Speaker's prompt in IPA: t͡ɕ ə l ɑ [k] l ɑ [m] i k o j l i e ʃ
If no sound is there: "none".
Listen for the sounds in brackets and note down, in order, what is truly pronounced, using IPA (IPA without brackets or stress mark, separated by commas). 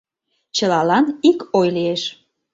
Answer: none, n